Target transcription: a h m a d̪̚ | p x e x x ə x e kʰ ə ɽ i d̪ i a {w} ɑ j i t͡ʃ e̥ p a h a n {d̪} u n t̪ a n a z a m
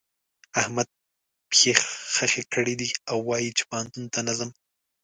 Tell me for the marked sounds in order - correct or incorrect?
incorrect: wː, incorrect: t̪

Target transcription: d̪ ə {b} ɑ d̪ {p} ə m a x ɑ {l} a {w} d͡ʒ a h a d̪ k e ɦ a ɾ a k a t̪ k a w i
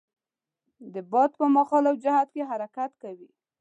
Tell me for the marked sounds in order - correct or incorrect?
correct, correct, correct, correct

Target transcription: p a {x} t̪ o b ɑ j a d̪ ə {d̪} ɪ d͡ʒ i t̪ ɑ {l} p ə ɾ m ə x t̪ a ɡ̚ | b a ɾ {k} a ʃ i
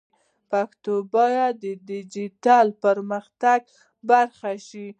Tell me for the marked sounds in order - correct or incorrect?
incorrect: k, correct, correct, incorrect: x

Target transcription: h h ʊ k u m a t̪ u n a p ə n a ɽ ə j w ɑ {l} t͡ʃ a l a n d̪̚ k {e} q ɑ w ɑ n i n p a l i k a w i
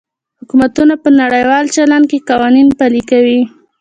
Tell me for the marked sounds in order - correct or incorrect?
correct, correct

